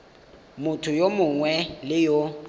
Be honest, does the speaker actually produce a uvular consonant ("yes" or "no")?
no